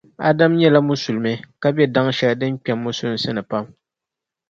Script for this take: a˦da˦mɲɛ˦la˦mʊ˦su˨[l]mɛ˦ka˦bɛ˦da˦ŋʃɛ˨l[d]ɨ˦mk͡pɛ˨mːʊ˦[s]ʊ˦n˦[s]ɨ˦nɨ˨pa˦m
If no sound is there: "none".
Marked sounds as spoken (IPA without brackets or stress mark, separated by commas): l, d, s, s